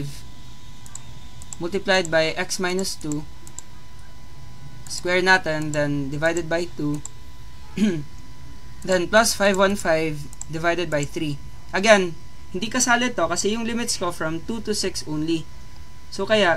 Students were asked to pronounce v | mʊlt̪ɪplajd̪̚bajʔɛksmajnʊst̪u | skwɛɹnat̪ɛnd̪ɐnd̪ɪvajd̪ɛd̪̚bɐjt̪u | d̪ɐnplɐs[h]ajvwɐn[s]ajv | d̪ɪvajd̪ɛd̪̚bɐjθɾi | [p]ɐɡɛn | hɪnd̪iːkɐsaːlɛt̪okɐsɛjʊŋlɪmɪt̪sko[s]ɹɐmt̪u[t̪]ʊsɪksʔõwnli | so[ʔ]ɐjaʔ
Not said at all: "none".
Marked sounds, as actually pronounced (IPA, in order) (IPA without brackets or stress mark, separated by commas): f, f, ʔ, f, t̪, k